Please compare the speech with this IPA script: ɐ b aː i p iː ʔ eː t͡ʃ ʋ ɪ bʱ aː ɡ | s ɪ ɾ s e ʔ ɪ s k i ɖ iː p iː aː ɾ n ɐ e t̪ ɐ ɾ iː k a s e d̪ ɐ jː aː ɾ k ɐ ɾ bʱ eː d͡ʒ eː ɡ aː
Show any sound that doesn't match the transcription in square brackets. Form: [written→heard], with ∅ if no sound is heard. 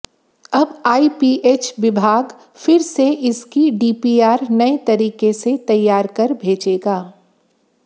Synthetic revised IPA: ɐ b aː i p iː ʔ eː t͡ʃ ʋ ɪ bʱ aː ɡ | [s→f] ɪ ɾ s e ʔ ɪ s k i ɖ iː p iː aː ɾ n ɐ e t̪ ɐ ɾ iː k [a→e] s e [d̪→t̪] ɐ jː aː ɾ k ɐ ɾ bʱ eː d͡ʒ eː ɡ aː

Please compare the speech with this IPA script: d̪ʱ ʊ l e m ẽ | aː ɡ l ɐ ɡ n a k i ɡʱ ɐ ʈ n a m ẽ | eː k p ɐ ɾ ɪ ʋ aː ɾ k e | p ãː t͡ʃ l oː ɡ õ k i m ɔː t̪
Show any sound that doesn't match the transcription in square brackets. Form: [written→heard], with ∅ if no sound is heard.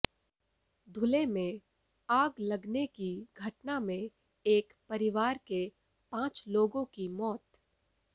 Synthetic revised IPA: d̪ʱ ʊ l e m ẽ | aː ɡ l ɐ ɡ n [a→e] k i ɡʱ ɐ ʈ n a m ẽ | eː k p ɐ ɾ ɪ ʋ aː ɾ k e | p ãː t͡ʃ l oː ɡ õ k i m ɔː t̪

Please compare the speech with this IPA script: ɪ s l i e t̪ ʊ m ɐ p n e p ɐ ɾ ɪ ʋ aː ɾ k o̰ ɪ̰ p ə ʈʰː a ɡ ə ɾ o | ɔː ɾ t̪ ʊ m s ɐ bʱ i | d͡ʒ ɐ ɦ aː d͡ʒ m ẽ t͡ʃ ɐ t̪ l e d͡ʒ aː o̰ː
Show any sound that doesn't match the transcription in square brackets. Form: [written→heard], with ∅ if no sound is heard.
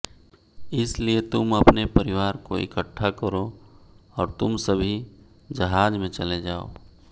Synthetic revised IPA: ɪ s l i e t̪ ʊ m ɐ p n e p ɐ ɾ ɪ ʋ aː ɾ k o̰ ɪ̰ [p→k] ə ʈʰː a [ɡ→k] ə ɾ o | ɔː ɾ t̪ ʊ m s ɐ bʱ i | d͡ʒ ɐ ɦ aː d͡ʒ m ẽ t͡ʃ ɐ [t̪→∅] l e d͡ʒ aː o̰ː

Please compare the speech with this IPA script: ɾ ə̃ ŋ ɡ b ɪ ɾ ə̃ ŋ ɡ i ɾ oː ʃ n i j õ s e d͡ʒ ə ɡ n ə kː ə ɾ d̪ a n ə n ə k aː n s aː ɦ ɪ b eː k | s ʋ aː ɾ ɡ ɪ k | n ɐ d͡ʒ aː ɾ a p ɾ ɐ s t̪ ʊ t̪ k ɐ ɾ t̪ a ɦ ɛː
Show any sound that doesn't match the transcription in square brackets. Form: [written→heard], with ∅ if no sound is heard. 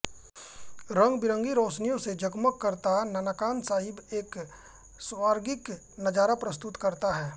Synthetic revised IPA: ɾ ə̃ ŋ ɡ b ɪ ɾ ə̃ ŋ ɡ i ɾ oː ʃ n i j õ s e d͡ʒ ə ɡ [n→m] ə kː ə ɾ [d̪→t̪] a n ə n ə k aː n s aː ɦ ɪ b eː k | s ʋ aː ɾ ɡ ɪ k | n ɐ d͡ʒ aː ɾ a p ɾ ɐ s t̪ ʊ t̪ k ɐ ɾ t̪ a ɦ ɛː

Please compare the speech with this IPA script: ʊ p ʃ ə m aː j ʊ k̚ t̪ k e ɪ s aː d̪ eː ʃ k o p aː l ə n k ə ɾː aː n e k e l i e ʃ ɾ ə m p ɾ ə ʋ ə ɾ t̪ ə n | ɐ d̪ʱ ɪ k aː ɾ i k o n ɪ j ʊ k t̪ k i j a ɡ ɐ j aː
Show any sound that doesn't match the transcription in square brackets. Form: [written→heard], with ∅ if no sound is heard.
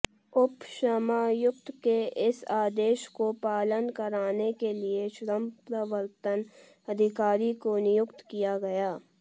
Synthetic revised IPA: ʊ p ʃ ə m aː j ʊ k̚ t̪ k e ɪ s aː d̪ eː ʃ k o p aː l ə n k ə [ɾː→ɾ] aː n e k e l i e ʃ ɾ ə m p ɾ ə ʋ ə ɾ t̪ ə n | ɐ d̪ʱ ɪ k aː ɾ i k o n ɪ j ʊ k t̪ k i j a ɡ ɐ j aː

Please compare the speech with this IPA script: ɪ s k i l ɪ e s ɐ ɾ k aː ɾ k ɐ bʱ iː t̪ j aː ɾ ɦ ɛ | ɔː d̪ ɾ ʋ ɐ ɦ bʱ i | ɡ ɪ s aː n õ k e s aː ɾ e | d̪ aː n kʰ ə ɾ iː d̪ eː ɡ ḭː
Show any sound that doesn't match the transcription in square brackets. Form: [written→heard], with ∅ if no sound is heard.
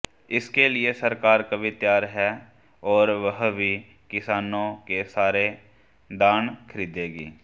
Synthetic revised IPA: ɪ s k [i→e] l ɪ e s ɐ ɾ k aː ɾ k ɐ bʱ [iː→i] t̪ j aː ɾ ɦ ɛ | ɔː [d̪→∅] ɾ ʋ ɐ ɦ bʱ i | [ɡ→k] ɪ s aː n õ k e s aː ɾ e | d̪ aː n kʰ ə ɾ iː d̪ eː ɡ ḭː

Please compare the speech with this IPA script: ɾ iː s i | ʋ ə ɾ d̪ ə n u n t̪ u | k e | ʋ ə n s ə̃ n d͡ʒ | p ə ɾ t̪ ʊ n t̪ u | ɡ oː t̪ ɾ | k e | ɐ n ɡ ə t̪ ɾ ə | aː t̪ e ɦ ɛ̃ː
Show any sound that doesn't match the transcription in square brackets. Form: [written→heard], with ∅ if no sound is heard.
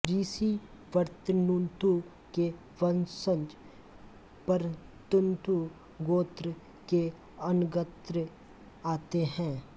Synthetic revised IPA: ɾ iː s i | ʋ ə ɾ [d̪→t̪] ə n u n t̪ u | k e | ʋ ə n s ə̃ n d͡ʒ | p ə ɾ t̪ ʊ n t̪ u | ɡ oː t̪ ɾ | k e | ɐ n ɡ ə t̪ ɾ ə | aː t̪ e ɦ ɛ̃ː

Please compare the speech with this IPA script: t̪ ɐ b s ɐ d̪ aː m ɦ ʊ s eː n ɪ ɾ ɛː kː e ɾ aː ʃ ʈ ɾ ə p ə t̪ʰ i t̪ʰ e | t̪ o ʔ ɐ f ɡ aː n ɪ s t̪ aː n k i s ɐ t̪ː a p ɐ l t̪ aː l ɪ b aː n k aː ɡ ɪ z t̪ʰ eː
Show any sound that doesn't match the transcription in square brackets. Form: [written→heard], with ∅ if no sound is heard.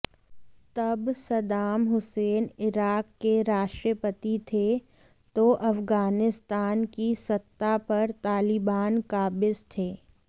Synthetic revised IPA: t̪ ɐ b s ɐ d̪ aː m ɦ ʊ s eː n ɪ ɾ [ɛː→aː] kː e ɾ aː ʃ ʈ ɾ ə p ə [t̪ʰ→t̪] i t̪ʰ e | t̪ o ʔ ɐ f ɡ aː n ɪ s t̪ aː n k i s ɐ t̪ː a p ɐ [l→ɾ] t̪ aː l ɪ b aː n k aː [ɡ→b] ɪ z t̪ʰ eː

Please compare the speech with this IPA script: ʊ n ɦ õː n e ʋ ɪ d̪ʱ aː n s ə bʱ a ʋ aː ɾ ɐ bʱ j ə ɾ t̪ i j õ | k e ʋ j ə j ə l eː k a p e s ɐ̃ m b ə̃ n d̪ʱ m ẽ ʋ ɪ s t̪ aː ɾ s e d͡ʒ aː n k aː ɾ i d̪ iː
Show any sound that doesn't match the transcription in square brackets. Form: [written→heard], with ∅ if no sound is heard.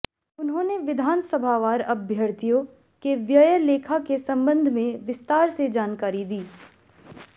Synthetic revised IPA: ʊ n ɦ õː n e ʋ ɪ d̪ʱ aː n s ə bʱ a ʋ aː ɾ ɐ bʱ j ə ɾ t̪ i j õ | k e ʋ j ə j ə l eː [k→kʰ] a [p→k] e s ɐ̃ m b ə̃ n d̪ʱ m ẽ ʋ ɪ s t̪ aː ɾ s e d͡ʒ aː n k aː ɾ i d̪ iː

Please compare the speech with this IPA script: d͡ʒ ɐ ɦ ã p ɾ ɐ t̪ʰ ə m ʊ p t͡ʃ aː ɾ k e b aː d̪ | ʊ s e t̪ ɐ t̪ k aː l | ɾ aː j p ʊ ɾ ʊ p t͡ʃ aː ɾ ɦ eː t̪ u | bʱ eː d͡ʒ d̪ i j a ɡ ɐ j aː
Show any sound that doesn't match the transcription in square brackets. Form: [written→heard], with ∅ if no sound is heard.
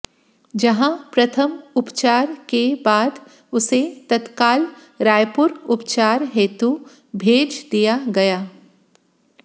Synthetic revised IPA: d͡ʒ ɐ ɦ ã p ɾ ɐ t̪ʰ ə m ʊ p t͡ʃ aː ɾ k e b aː d̪ | ʊ s e t̪ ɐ t̪ k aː l | ɾ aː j p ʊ ɾ ʊ p t͡ʃ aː ɾ ɦ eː t̪ u | bʱ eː d͡ʒ d̪ i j a ɡ ɐ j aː

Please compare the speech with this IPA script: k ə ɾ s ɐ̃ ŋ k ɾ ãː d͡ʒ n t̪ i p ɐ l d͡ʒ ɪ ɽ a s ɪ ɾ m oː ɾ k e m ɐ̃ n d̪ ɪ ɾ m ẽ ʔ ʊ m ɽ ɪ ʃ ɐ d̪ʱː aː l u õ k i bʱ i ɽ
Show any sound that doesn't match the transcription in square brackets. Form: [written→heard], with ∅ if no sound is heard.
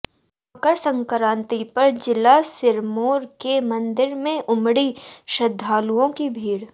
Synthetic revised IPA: k ə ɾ s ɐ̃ ŋ k ɾ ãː [d͡ʒ→∅] n t̪ i p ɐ [l→ɾ] d͡ʒ ɪ [ɽ→l] a s ɪ ɾ m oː ɾ k e m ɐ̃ n d̪ ɪ ɾ m ẽ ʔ ʊ m ɽ [ɪ→i] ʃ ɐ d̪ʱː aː l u õ k i bʱ [i→iː] ɽ

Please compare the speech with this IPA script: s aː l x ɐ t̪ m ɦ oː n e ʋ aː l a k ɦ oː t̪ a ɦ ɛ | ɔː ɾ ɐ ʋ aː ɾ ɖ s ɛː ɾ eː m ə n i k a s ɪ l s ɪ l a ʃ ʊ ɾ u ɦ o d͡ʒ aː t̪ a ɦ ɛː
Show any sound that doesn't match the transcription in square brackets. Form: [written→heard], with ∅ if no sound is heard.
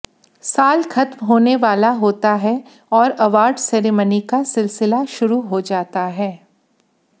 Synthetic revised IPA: s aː l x ɐ t̪ m ɦ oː n e ʋ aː l a [k→∅] ɦ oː t̪ a ɦ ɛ | ɔː ɾ ɐ ʋ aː ɾ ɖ s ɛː ɾ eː m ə n i k a s ɪ l s ɪ l a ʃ ʊ ɾ u ɦ o d͡ʒ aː t̪ a ɦ ɛː

